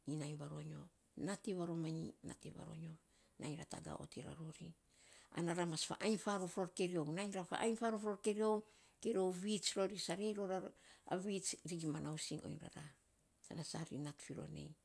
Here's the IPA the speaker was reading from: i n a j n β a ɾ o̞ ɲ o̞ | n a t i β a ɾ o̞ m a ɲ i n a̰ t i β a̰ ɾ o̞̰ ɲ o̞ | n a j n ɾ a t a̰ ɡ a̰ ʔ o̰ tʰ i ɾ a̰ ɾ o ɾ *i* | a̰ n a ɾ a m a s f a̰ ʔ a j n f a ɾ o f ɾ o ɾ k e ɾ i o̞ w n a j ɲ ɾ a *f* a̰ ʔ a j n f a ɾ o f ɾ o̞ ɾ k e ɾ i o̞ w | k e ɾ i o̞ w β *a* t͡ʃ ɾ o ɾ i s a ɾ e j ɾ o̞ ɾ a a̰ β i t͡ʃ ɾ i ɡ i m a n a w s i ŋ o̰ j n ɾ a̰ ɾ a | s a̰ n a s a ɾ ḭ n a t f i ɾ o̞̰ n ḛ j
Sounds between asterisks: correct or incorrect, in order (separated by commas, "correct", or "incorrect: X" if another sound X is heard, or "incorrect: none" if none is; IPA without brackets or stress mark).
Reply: correct, correct, incorrect: i